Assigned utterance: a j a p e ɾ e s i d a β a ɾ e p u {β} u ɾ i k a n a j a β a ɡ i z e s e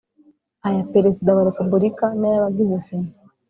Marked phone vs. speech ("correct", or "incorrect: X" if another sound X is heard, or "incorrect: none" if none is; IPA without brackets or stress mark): incorrect: b